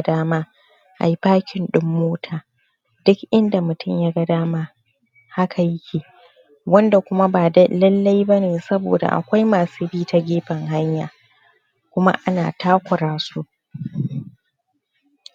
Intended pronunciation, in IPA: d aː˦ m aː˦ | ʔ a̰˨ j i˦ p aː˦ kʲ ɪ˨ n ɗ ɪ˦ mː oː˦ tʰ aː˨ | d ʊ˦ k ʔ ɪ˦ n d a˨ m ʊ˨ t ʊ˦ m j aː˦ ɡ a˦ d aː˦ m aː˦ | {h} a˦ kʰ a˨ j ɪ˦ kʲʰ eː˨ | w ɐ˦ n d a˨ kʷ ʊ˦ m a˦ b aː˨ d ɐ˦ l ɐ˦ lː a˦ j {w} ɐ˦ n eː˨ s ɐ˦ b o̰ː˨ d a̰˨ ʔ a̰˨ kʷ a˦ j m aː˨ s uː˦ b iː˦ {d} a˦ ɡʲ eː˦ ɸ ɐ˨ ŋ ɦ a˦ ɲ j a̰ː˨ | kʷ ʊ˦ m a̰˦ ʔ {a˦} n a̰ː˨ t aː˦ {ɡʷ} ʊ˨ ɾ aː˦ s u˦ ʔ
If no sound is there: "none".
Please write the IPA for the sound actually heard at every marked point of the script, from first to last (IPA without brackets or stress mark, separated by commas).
h, b, t, a˦, kʷ